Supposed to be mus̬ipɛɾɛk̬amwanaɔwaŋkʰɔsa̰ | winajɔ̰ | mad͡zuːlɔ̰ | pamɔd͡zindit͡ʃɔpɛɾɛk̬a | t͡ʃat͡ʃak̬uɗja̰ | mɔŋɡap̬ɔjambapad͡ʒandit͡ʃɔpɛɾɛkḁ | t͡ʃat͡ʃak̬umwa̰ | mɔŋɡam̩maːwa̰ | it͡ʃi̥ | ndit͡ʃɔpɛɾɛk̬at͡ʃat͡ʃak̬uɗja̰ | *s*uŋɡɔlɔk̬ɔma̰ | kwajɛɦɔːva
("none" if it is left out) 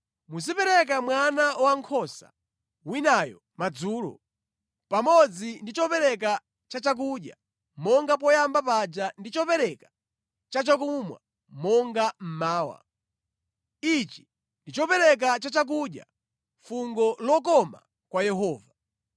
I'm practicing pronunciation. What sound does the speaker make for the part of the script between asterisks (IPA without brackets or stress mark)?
f